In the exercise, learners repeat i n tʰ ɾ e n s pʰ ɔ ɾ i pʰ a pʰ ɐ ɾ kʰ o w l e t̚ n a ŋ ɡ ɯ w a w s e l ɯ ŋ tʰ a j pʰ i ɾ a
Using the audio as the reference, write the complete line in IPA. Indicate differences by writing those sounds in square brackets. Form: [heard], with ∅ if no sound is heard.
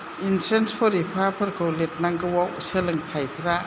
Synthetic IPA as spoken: i n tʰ ɾ e n s pʰ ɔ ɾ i pʰ a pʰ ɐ ɾ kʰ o w l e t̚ n a ŋ ɡ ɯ w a w s e l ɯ ŋ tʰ a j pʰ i ɾ a